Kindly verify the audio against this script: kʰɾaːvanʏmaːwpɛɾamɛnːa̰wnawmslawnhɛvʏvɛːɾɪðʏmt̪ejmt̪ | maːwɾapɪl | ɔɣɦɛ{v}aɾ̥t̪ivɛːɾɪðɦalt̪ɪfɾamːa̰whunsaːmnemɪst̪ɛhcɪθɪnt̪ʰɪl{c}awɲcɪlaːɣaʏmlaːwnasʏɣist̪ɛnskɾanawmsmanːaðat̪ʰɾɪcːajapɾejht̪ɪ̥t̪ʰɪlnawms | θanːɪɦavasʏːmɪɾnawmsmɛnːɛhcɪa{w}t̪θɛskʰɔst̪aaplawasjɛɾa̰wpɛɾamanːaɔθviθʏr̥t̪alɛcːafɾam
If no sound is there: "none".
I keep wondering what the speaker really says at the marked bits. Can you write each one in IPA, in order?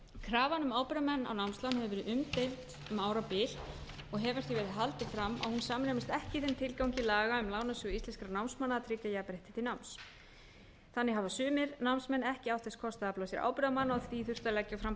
v, k, w

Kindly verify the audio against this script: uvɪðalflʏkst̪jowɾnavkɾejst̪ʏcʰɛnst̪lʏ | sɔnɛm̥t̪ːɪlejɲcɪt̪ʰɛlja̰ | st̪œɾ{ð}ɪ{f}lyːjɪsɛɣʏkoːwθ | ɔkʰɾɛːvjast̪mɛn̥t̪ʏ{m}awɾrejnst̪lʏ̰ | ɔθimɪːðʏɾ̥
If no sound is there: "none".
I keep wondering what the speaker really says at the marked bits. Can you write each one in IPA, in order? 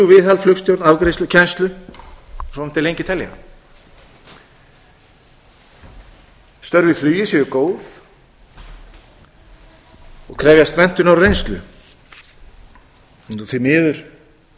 v, f, n

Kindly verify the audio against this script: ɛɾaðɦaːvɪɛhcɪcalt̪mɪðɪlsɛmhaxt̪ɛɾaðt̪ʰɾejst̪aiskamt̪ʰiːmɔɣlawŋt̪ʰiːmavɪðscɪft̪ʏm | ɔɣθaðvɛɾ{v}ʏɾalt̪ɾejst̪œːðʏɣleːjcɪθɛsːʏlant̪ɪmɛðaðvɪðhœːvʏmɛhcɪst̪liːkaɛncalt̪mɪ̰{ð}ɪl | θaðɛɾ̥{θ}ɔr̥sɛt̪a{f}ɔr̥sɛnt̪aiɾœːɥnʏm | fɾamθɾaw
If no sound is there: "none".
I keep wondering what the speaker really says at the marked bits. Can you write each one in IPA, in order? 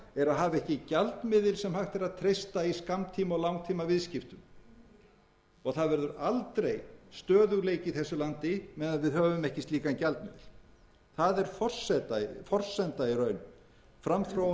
ð, ð, f, f

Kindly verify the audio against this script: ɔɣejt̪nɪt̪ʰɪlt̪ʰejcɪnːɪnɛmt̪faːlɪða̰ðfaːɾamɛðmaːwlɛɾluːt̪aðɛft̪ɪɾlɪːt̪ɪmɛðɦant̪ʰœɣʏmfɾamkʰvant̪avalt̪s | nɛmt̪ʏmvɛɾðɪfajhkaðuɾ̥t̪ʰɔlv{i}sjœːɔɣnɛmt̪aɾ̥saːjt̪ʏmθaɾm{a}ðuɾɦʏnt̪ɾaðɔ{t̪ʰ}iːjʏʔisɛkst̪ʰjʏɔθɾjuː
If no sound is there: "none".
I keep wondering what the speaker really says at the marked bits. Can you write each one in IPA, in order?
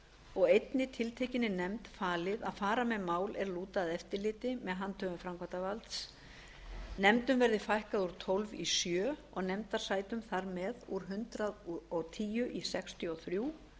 i, ɛ, t̪ʰ

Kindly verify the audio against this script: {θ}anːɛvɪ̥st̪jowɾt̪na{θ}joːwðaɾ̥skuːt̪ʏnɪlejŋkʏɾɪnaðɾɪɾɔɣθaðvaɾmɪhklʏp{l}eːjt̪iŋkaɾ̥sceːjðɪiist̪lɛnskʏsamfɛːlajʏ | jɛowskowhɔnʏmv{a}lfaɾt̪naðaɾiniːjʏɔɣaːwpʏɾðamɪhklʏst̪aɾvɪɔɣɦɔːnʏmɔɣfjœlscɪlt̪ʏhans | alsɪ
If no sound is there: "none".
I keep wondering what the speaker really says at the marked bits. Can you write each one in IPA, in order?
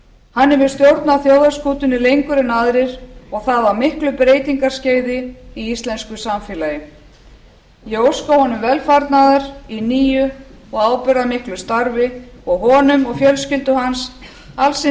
h, θ, ɾ, ɛ

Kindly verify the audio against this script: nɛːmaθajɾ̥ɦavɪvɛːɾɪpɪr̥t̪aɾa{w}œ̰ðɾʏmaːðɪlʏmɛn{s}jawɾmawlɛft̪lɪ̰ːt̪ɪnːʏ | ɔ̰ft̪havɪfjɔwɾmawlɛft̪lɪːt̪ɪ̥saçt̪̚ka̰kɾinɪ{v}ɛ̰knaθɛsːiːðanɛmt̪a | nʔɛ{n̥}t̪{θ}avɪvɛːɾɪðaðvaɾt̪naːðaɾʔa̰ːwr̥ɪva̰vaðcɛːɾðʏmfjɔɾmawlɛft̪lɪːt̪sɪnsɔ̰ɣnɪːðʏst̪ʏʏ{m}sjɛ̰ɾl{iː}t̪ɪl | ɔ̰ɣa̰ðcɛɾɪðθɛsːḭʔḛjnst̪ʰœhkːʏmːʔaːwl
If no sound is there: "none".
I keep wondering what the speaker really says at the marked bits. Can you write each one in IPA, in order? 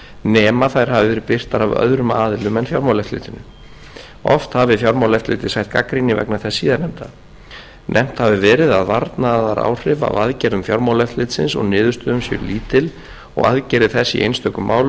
v, f, v, m̥, h, m, iː

